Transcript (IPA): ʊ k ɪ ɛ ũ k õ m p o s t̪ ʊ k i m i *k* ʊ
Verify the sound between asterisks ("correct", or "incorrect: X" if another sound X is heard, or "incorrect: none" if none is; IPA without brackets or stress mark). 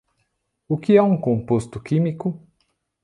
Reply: correct